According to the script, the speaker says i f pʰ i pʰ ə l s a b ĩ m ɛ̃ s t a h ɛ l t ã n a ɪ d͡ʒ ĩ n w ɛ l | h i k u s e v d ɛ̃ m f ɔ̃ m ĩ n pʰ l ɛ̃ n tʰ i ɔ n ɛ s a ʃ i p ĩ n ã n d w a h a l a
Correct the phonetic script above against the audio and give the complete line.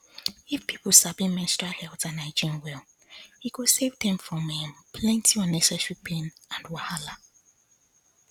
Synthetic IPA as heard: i f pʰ i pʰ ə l s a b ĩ m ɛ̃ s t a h ɛ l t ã n a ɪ d͡ʒ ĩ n w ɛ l | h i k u s e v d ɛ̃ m f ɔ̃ m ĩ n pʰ l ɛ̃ n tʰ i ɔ n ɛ s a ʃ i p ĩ n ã n d w a h a l a